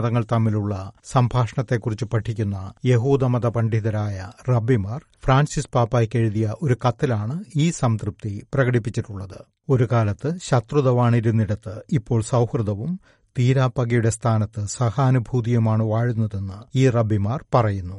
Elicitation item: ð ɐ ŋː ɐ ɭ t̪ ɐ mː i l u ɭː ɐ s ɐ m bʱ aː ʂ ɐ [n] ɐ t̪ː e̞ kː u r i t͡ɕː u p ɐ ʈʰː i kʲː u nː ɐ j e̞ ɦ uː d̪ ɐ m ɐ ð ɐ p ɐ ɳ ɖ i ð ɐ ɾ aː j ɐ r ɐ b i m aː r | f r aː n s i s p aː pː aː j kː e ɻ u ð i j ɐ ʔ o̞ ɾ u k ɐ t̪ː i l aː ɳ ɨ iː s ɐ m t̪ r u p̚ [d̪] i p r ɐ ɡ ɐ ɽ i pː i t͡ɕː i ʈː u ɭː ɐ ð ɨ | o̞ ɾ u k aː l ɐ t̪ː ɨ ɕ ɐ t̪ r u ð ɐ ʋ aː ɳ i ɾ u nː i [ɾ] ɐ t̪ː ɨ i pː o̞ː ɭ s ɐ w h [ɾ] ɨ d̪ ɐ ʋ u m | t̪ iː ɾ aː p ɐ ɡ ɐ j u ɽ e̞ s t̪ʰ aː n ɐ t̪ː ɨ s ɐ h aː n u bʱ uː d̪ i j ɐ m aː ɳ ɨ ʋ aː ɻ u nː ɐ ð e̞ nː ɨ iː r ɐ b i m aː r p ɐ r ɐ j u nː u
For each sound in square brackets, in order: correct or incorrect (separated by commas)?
incorrect, incorrect, incorrect, incorrect